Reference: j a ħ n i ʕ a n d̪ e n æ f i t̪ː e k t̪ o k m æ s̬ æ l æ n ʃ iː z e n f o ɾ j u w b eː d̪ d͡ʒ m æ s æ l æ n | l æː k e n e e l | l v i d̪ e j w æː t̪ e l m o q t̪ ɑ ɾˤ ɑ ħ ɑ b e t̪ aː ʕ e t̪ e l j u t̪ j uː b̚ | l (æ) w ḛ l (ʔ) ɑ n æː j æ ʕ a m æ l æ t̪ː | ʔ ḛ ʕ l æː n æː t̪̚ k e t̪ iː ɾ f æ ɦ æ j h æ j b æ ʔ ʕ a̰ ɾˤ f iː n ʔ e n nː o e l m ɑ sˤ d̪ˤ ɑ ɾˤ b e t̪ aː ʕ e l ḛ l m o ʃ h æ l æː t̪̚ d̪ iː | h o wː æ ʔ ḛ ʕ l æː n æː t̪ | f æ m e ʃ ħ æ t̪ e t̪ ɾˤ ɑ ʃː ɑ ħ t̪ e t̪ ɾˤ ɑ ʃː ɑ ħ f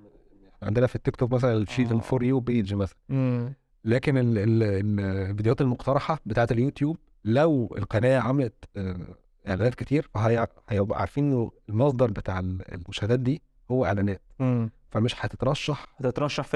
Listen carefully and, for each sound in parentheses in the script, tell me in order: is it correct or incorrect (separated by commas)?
correct, incorrect